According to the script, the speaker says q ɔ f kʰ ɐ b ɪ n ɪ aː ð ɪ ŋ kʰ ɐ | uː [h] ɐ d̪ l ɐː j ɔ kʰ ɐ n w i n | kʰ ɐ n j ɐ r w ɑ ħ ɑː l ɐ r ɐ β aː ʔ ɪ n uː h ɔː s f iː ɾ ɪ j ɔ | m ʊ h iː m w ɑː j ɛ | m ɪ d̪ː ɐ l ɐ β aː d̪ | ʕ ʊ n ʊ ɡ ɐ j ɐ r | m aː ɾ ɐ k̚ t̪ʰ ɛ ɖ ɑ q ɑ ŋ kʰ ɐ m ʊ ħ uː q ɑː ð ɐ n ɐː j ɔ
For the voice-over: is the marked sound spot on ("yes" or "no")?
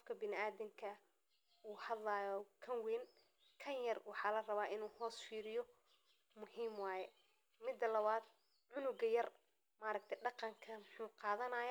yes